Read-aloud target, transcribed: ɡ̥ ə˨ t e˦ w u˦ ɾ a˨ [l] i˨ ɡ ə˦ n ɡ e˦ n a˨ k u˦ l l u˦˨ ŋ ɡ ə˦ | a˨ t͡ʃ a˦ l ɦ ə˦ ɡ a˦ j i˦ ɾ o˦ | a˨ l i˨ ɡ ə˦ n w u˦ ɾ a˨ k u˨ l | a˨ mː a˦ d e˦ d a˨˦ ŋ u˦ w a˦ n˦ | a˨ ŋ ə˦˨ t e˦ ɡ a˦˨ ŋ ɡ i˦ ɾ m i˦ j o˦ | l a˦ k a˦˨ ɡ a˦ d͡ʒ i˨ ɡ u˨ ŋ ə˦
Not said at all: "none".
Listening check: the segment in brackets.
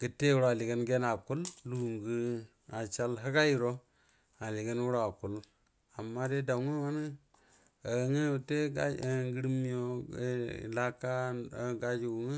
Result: l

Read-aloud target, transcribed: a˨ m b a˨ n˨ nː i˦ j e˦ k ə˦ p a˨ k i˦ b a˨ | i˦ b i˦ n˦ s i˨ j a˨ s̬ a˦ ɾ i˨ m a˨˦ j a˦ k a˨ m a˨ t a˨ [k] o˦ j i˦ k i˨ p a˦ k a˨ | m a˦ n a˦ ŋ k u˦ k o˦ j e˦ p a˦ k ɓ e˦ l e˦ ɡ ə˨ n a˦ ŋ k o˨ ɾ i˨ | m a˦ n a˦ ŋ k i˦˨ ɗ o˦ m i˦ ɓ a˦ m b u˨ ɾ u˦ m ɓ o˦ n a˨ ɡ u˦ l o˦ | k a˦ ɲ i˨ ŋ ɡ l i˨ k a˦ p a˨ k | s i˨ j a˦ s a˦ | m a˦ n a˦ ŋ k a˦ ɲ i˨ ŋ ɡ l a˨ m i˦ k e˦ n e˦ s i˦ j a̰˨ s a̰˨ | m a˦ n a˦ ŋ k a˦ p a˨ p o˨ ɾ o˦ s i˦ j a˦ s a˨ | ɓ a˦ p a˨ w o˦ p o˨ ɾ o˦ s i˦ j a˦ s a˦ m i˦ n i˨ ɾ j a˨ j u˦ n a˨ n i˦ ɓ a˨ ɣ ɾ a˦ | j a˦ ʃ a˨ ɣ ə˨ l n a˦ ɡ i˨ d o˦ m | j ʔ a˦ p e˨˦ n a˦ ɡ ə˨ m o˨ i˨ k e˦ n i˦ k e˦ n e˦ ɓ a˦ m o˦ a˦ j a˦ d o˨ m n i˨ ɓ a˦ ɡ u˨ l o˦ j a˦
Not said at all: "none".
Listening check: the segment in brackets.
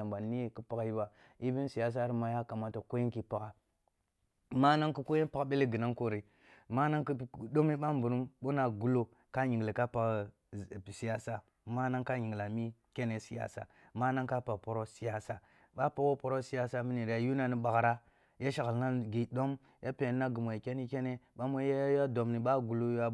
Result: k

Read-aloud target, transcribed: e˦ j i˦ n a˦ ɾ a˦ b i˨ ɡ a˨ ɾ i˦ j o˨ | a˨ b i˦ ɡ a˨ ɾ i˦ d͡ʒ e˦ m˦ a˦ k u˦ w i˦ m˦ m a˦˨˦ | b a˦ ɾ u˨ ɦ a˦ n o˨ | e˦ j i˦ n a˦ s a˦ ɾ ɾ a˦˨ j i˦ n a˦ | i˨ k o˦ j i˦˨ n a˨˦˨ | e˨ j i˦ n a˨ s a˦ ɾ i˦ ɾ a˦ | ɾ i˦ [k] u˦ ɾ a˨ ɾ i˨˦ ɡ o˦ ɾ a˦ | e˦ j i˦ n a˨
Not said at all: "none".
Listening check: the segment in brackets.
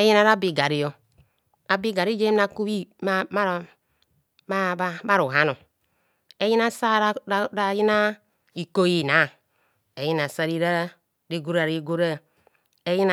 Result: ɡ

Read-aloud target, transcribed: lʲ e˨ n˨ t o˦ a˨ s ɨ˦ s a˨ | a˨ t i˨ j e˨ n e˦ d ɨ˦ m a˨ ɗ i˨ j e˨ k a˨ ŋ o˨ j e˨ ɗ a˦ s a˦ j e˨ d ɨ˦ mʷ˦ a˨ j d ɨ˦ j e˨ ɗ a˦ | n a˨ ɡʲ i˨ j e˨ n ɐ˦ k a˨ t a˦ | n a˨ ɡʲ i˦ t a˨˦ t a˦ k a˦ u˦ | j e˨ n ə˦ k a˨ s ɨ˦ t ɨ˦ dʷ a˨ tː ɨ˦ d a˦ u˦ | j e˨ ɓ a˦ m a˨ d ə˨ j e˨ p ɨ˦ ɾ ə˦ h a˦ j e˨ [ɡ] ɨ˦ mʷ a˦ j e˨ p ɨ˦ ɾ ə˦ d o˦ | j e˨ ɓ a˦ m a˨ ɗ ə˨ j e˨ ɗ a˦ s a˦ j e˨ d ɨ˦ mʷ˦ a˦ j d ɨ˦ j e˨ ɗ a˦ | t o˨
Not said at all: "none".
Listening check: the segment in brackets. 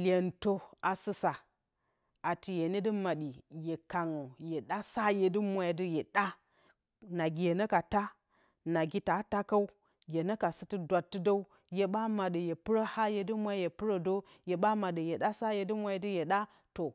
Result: d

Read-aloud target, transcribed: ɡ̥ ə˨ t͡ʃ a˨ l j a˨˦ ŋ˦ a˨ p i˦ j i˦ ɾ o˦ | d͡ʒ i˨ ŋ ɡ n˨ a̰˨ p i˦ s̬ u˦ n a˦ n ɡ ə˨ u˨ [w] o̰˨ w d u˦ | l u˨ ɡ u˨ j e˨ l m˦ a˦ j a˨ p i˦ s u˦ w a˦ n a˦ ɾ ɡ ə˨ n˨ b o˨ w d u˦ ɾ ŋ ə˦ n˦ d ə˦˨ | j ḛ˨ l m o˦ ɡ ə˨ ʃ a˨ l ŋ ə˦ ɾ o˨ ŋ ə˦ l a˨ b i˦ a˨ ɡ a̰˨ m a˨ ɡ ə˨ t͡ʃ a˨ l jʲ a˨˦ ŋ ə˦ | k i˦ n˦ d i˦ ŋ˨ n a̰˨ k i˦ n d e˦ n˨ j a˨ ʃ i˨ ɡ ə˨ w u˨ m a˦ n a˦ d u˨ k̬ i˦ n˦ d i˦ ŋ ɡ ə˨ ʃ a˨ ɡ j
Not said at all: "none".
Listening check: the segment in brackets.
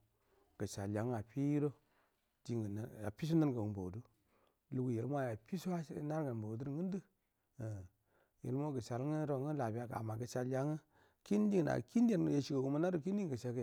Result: b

